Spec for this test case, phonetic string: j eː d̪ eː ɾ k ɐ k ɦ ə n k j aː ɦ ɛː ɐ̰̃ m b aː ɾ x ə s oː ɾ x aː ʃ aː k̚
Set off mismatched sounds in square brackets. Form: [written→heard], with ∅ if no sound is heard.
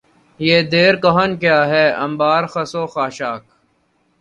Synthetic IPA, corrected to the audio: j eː d̪ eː ɾ k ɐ [k→∅] ɦ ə n k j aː ɦ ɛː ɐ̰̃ m b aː ɾ x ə s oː [ɾ→∅] x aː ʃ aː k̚